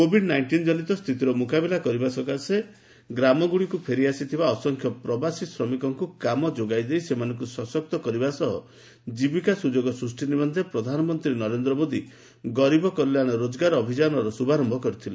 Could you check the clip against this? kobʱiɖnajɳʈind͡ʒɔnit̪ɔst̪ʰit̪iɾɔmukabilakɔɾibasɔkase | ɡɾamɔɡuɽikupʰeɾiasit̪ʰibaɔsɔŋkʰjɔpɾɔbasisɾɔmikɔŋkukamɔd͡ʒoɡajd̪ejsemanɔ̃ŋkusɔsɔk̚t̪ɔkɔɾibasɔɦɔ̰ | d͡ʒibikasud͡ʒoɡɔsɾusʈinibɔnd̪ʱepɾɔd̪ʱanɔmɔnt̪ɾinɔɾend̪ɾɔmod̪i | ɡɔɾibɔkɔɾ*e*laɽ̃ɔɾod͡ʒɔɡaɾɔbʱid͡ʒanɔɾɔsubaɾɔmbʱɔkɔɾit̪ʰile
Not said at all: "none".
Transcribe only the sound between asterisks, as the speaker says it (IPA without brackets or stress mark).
i